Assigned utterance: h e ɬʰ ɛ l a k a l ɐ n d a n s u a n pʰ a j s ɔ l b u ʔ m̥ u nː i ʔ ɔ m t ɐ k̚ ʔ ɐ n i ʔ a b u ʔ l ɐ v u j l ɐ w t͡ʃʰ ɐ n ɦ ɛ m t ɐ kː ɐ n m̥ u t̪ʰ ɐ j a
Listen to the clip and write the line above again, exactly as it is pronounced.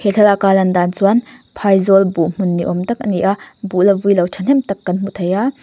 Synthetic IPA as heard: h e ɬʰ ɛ l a k a l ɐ n d a n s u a n pʰ a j z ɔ l b u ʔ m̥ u nː i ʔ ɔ m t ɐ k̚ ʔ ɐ n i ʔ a b u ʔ l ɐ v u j l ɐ w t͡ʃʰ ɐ n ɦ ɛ m t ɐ kː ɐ n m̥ u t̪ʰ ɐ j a